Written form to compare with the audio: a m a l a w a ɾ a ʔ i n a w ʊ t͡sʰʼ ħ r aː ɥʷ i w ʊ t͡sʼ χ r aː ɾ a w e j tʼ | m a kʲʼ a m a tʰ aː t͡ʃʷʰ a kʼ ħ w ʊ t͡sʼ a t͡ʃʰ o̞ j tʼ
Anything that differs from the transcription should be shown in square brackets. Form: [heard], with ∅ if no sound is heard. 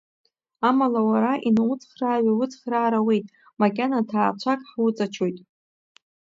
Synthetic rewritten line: a m a l a w a ɾ a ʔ i n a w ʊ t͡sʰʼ [χ] r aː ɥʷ [a] w ʊ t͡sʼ χ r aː ɾ a w e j tʼ | m a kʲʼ a [n] a tʰ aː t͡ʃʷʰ a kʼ ħ w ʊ t͡sʼ a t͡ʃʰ o̞ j tʼ